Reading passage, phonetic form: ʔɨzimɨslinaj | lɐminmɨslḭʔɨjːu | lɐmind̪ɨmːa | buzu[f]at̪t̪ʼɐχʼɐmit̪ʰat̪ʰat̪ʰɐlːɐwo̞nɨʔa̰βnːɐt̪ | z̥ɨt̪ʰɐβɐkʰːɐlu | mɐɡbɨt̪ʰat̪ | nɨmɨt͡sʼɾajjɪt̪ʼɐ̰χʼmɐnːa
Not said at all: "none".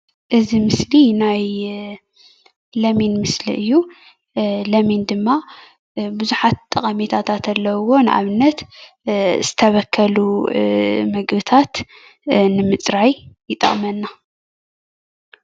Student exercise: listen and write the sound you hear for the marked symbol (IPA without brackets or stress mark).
ħ